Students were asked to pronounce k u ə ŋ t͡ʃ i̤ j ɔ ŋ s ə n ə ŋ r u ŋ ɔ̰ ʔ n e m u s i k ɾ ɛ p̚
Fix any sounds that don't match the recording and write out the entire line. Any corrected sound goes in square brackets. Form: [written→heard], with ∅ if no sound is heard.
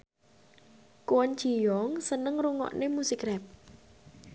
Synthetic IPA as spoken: k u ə [ŋ→n] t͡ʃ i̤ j ɔ ŋ s ə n ə ŋ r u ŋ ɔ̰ ʔ n e m u s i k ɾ ɛ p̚